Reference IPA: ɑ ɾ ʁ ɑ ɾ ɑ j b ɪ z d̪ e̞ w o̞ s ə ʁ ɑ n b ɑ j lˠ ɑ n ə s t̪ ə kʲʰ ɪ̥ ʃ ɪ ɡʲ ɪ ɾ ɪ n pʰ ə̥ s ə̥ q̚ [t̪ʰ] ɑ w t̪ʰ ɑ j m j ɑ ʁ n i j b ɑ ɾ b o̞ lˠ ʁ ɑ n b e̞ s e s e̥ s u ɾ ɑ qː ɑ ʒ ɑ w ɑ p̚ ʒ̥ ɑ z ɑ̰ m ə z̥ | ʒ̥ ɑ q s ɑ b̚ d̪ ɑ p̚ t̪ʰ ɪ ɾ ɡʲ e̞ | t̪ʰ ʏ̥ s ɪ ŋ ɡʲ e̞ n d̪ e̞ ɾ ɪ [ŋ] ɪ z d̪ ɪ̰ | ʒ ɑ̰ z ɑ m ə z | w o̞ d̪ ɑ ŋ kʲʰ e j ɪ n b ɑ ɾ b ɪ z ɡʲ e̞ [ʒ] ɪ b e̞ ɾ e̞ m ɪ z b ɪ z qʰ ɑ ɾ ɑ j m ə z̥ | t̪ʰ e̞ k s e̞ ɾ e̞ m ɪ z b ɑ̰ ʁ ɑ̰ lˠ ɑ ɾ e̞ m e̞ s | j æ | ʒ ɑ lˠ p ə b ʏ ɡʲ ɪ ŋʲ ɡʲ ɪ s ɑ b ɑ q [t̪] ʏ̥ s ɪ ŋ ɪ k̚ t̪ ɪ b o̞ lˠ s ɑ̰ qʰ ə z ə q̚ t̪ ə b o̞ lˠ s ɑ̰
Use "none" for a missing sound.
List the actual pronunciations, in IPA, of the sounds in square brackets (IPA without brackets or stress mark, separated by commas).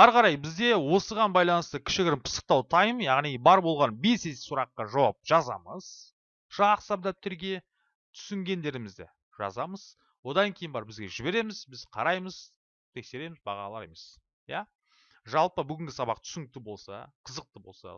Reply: t̪, m, ʒ, t̪ʰ